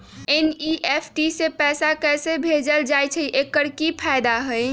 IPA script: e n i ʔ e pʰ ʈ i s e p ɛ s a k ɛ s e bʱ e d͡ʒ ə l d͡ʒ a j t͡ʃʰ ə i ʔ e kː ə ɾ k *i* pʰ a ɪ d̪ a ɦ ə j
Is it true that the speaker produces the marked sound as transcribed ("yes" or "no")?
yes